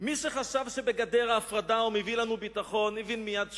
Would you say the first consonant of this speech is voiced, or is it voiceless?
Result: voiced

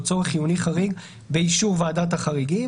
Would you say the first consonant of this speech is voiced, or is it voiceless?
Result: voiceless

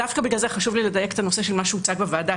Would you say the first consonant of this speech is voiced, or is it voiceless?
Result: voiceless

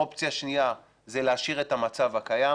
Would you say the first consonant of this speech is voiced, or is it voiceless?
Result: voiceless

